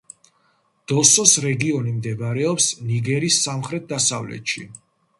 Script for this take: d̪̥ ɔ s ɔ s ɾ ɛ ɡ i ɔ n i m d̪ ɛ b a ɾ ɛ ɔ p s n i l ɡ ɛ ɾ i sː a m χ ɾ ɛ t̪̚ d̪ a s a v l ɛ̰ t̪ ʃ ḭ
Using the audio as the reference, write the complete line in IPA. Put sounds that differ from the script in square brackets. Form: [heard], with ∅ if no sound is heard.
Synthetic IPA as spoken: d̪̥ ɔ s ɔ s ɾ ɛ ɡ i ɔ n i m d̪ ɛ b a ɾ ɛ ɔ p s n i [∅] ɡ ɛ ɾ i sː a m χ ɾ ɛ t̪̚ d̪ a s a v l ɛ̰ t̪ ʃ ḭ